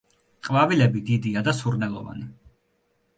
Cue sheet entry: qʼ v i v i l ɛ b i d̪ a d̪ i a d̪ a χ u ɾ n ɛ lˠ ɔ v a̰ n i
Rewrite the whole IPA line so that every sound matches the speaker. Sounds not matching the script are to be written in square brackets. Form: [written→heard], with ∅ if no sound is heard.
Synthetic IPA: qʼ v [i→a] v i l ɛ b i d̪ [a→i] d̪ i a d̪ a [χ→s] u ɾ n ɛ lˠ ɔ v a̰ n i